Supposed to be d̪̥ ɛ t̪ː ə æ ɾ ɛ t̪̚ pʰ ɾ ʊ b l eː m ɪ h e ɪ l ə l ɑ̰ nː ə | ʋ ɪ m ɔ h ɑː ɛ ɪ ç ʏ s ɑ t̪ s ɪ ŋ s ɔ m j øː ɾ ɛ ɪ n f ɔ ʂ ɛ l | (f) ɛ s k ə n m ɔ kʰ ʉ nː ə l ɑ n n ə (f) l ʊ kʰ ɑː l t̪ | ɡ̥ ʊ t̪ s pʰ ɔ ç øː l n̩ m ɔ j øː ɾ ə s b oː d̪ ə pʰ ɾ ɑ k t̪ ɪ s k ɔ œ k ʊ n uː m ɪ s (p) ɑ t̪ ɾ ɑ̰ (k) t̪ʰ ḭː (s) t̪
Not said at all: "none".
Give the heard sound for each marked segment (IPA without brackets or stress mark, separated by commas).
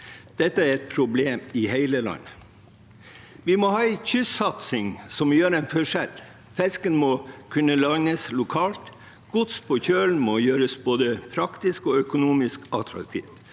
f, s, k, k, f